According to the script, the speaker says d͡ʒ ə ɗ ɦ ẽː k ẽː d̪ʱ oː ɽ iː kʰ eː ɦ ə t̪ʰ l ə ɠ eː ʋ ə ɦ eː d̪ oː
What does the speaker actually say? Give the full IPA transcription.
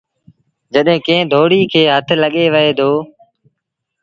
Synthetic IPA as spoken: d͡ʒ ə ɗ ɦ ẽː k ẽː d̪ʱ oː ɽ iː kʰ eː ɦ ə t̪ʰ l ə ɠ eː ʋ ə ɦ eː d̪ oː